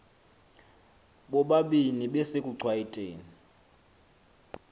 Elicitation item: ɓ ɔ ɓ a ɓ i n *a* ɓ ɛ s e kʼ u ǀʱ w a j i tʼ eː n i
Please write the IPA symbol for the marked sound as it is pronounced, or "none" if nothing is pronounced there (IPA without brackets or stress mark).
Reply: i